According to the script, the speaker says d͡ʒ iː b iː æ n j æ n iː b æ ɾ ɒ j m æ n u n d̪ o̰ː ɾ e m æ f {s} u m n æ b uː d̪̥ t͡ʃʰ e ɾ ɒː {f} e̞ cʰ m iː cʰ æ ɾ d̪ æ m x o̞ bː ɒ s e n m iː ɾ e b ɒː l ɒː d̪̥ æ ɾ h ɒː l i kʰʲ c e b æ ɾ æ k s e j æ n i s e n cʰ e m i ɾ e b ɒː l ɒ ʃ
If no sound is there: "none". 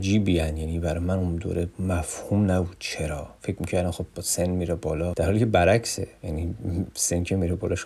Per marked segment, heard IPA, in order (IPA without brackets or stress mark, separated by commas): h, f